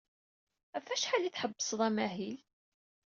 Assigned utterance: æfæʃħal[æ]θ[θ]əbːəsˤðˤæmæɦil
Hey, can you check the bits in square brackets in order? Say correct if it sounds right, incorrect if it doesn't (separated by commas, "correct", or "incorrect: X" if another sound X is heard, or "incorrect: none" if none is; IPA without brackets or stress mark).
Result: incorrect: i, incorrect: ħ